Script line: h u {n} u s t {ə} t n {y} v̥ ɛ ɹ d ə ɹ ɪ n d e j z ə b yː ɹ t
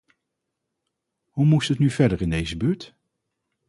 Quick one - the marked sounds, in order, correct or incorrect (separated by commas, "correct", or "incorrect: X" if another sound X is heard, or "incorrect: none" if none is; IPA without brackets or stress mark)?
incorrect: m, correct, correct